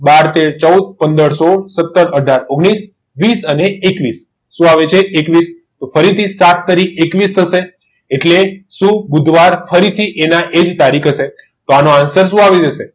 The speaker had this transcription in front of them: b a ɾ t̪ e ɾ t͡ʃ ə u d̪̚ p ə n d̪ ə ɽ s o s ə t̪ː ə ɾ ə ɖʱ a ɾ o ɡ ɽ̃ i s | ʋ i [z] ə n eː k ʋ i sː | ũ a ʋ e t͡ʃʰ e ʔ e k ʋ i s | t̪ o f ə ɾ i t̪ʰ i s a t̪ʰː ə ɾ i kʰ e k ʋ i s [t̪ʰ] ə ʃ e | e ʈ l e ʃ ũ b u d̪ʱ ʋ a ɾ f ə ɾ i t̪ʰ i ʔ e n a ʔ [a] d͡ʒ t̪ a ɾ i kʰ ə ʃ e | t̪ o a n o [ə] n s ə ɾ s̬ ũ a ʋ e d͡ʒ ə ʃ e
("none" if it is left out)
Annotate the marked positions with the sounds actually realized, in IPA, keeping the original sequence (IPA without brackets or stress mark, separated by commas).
s, t̪ʰ, e, a